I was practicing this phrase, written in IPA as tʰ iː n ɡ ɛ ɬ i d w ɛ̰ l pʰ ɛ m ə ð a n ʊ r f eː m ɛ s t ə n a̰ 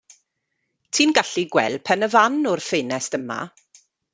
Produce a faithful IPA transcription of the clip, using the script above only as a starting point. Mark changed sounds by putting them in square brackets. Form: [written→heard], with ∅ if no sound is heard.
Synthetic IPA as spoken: tʰ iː n ɡ [ɛ→a] ɬ i [d→ɡ] w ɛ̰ l pʰ ɛ [m→n] ə [ð→v] a n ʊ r f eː [m→n] ɛ s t ə [n→m] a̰